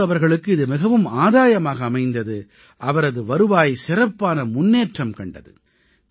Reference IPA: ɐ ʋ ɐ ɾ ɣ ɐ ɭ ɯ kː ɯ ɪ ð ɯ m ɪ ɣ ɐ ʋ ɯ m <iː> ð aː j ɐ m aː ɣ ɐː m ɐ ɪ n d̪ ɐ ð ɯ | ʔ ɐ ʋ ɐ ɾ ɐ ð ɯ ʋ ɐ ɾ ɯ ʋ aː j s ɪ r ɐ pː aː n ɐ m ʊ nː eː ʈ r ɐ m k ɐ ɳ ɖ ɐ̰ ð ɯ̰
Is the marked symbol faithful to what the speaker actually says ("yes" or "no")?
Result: no